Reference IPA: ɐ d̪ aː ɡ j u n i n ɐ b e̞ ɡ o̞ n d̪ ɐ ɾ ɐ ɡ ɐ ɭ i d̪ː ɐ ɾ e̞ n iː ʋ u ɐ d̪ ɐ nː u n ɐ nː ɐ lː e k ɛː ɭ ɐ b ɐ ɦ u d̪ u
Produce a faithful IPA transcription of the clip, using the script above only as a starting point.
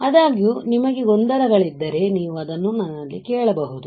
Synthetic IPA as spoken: ɐ d̪ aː ɡ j u n i m ɐ ɡ e̞ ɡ o̞ n d̪ ɐ ɾ ɐ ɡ ɐ ɭ i d̪ː ɐ ɾ e̞ n iː ʋ u ɐ d̪ ɐ nː u n ɐ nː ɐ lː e k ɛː ɭ ɐ b ɐ ɦ u d̪ u

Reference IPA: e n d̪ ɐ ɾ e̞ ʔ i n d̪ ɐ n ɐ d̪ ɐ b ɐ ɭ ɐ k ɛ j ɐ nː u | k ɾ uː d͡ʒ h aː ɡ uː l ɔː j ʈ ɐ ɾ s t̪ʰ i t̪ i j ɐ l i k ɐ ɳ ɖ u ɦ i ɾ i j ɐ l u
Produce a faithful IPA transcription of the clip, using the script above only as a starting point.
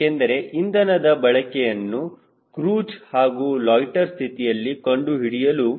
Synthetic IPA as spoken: e n d̪ ɐ ɾ e̞ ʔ i n d̪ ɐ n ɐ d̪ ɐ b ɐ ɭ ɐ k ɛ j ɐ nː u | k ɾ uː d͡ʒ h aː ɡ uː l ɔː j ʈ ɐ ɾ s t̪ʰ i t̪ i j ɐ lː i k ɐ ɳ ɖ u ɦ i ɽ i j ɐ l u

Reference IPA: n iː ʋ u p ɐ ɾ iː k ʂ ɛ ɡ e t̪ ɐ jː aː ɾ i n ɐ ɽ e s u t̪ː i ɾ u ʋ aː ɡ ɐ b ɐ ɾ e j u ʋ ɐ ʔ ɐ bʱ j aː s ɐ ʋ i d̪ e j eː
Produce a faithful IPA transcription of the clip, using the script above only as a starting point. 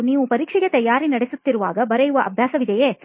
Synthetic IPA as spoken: n iː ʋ u p ɐ ɾ iː k ʂ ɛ ɡ e t̪ ɐ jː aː ɾ i n ɐ ɽ e s u t̪ː i ɾ u ʋ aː ɡ ɐ b ɐ ɾ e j u ʋ ɐ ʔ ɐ bʱ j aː s ɐ ʋ i d̪ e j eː

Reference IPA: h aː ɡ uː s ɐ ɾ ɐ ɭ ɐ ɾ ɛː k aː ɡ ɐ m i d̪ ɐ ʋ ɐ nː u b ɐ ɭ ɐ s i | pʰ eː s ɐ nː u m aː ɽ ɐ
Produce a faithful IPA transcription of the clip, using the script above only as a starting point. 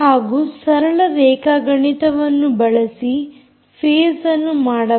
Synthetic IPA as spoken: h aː ɡ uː s ɐ ɾ ɐ ɭ ɐ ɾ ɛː k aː ɡ ɐ ɳ i t̪ ɐ ʋ ɐ nː u b ɐ ɭ ɐ s i | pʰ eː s ɐ nː u m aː ɽ ɐ

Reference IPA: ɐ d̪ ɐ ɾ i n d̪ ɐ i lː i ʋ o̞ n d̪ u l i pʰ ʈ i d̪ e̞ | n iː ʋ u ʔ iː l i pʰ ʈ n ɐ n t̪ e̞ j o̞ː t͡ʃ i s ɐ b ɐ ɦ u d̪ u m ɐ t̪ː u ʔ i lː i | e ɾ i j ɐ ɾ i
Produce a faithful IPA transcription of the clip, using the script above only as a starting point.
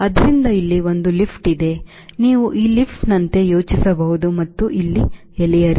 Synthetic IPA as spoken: ɐ d̪ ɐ ɾ i n d̪ ɐ i lː i ʋ o̞ n d̪ u l i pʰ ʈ i d̪ e̞ | n iː ʋ u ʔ iː l i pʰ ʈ n ɐ n t̪ e̞ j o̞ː t͡ʃ i s ɐ b ɐ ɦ u d̪ u m ɐ t̪ː u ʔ i lː i | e l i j ɐ ɾ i

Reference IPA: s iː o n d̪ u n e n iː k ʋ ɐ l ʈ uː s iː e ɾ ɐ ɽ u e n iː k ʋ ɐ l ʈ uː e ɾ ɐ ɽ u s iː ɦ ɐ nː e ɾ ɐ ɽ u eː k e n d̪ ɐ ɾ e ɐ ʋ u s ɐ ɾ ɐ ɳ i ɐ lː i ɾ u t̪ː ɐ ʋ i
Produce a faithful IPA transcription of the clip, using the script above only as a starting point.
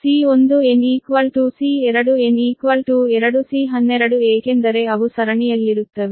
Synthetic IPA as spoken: s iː o n d̪ u e n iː k ʋ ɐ l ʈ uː s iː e ɾ ɐ ɽ u e n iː k ʋ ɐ l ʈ uː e ɾ ɐ ɽ u s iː ɦ ɐ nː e ɾ ɐ ɽ u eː k e n d̪ ɐ ɾ e ɐ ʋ u s ɐ ɾ ɐ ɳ i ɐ lː i ɾ u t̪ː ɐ ʋ i

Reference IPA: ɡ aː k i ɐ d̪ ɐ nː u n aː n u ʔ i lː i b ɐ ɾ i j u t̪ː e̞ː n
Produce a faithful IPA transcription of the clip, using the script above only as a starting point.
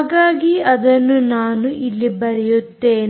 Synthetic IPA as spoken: ɡ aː ɡ i ɐ d̪ ɐ nː u n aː n u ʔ i lː i b ɐ ɾ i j u t̪ː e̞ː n

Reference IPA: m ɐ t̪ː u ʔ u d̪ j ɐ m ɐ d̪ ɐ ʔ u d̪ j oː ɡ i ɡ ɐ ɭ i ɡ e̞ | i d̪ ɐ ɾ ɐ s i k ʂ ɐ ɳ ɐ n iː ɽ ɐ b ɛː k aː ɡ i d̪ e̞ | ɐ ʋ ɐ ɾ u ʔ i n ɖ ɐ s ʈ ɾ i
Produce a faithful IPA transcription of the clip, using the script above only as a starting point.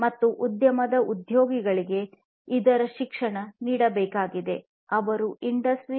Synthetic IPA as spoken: m ɐ t̪ː u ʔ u d̪ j ɐ m ɐ d̪ ɐ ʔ u d̪ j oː ɡ i ɡ ɐ ɭ i ɡ e̞ | i d̪ ɐ ɾ ɐ ʃ i k ʂ ɐ ɳ ɐ n iː ɽ ɐ b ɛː k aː ɡ i d̪ e̞ | ɐ ʋ ɐ ɾ u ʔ i ɳ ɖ ɐ s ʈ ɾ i

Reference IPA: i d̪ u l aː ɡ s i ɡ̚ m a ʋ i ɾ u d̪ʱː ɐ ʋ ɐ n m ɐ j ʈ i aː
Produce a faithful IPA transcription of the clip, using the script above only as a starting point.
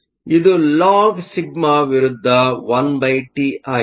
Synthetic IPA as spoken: i d̪ u l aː ɡ s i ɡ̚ m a ʋ i ɾ u d̪ʱː ɐ ʋ ɐ n b ɐ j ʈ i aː

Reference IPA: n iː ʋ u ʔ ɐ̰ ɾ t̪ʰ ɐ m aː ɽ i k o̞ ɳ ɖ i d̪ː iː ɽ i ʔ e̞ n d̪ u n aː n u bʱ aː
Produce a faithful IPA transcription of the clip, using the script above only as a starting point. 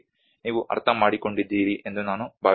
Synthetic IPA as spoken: n iː ʋ u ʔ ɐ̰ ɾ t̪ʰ ɐ m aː ɽ i k o̞ ɳ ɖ i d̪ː iː ɾ i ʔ e̞ n d̪ u n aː n u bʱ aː

